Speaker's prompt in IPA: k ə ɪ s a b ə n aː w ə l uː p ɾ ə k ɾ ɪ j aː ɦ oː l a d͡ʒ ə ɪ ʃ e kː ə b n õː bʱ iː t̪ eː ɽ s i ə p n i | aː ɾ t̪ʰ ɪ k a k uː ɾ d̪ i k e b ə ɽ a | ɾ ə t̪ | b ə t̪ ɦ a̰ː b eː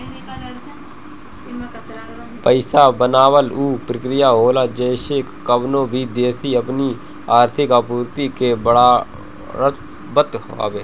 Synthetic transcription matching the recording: p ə ɪ s a b ə n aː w ə l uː p ɾ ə k ɾ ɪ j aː ɦ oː l a d͡ʒ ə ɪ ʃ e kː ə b n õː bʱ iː d̪ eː s i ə p n i | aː ɾ t̪ʰ ɪ k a p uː ɾ t̪ i k e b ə ɽ a | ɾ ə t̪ | b ə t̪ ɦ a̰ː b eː